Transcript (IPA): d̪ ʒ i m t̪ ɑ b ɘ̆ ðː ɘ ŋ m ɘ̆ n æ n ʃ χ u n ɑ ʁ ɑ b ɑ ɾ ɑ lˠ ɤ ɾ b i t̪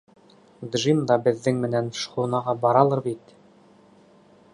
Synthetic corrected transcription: d̪ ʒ i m d̪ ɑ b ɘ̆ ðː ɘ ŋ m ɘ̆ n æ n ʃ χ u n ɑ ʁ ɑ b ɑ ɾ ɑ lˠ ɤ ɾ b i t̪